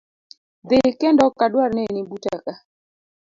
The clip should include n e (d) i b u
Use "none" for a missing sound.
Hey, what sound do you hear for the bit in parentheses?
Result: n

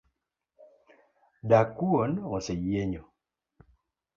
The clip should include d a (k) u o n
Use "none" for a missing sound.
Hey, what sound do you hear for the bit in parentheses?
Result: k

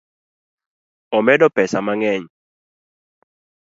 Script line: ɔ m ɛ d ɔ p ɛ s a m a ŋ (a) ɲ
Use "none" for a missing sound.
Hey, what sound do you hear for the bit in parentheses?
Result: ɛ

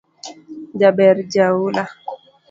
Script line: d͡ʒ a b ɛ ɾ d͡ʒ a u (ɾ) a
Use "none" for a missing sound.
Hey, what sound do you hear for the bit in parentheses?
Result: l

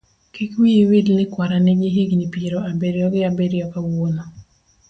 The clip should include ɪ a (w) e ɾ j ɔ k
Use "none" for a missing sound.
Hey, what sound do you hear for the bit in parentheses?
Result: b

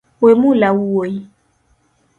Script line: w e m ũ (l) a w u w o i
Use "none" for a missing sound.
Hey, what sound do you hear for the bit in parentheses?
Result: l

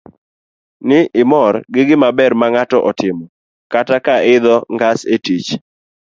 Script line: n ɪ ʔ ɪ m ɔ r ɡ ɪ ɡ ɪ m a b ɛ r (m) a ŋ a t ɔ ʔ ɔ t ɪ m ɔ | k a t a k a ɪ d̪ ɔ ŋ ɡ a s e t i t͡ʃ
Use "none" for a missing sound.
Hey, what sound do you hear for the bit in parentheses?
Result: m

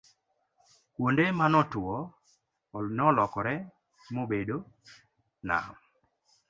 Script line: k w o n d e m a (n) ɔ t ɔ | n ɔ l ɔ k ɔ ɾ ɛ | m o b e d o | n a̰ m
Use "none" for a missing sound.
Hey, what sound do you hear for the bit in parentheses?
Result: n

